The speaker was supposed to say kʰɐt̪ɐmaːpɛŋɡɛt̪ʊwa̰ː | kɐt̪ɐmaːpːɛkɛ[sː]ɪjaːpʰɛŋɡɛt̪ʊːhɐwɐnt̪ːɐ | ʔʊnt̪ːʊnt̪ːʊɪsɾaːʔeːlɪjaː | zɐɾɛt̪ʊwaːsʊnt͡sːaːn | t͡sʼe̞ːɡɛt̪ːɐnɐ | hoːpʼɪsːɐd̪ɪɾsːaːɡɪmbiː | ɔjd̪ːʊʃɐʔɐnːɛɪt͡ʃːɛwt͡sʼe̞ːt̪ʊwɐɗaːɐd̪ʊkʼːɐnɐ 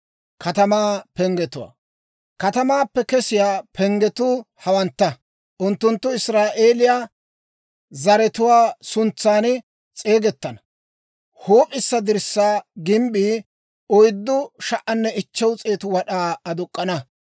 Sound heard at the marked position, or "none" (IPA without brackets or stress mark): s